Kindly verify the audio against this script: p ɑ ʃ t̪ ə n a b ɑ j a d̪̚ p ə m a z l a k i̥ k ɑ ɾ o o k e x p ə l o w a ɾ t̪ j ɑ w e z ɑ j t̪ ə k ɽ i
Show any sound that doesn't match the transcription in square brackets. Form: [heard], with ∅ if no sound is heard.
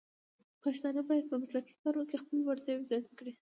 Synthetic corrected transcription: p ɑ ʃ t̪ [ɑ] n a b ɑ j a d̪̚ p ə m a [s] l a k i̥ k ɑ ɾ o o k e x p ə l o w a ɾ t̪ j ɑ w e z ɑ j t̪ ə k ɽ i